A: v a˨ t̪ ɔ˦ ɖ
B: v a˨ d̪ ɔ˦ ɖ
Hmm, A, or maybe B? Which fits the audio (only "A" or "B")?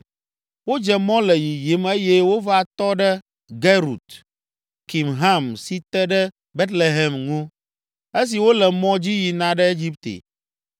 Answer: A